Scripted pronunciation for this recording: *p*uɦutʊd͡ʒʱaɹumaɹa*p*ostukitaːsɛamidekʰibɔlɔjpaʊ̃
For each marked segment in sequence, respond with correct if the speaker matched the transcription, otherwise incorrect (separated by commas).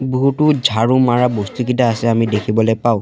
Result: incorrect, incorrect